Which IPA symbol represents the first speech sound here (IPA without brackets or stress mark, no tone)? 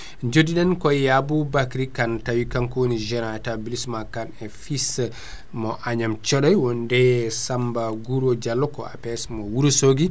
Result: d͡ʒ